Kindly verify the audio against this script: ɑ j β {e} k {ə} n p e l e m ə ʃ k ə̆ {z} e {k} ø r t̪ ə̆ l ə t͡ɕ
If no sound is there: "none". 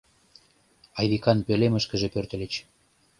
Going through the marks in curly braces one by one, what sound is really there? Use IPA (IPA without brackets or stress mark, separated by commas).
i, ɑ, ʒ, p